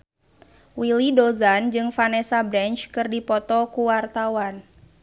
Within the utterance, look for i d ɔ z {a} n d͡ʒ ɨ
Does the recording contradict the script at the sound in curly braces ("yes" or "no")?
no